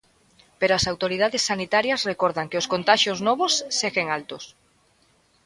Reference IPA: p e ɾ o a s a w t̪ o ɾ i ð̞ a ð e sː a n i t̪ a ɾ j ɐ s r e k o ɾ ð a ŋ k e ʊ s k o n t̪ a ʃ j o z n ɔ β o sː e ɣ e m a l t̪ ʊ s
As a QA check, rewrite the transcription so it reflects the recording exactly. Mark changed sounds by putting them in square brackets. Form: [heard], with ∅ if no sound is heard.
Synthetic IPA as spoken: p e ɾ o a s a w t̪ o ɾ i ð̞ a ð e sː a n i t̪ a ɾ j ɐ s r e k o ɾ ð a ŋ k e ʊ s k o n t̪ a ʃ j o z n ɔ β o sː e ɣ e [ŋ] a l t̪ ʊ s

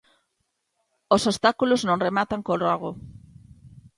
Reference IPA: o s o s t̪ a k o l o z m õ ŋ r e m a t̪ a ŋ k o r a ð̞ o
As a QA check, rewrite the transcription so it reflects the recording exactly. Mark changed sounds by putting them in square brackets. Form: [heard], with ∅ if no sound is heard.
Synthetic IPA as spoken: o s o s t̪ a k [u] l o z [n] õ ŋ r e m a t̪ a ŋ k o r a [ɣ̞] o

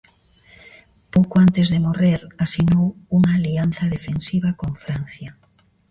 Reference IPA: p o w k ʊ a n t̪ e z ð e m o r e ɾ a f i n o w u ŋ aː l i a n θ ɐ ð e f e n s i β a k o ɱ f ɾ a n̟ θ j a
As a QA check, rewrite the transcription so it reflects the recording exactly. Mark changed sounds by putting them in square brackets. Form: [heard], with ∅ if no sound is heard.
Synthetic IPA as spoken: p o w k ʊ a n t̪ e z ð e m o r e ɾ a [s] i n o w u ŋ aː l i a n θ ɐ ð e f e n s i β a k o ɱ f ɾ a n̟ θ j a

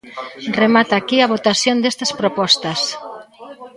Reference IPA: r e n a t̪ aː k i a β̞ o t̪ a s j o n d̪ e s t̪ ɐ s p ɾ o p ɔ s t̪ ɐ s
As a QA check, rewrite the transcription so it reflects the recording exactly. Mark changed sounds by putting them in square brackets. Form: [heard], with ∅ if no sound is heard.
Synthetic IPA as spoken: r e [m] a t̪ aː k i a β̞ o t̪ a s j o n d̪ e s t̪ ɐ s p ɾ o p ɔ s t̪ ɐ s

